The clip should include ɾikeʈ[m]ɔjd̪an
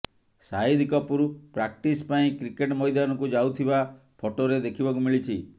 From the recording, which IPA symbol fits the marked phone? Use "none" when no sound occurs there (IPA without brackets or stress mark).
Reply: m